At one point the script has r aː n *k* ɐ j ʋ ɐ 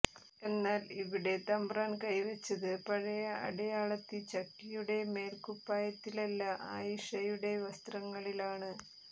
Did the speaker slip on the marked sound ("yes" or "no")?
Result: no